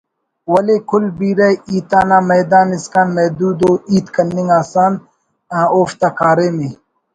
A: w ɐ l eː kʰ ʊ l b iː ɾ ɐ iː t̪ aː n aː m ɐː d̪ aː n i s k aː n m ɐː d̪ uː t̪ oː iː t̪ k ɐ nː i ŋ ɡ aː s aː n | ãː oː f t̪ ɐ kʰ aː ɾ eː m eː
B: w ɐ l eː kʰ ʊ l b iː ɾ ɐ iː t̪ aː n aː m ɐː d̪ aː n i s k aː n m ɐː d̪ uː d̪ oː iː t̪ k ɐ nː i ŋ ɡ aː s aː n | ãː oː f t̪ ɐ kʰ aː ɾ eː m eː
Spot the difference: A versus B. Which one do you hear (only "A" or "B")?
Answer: B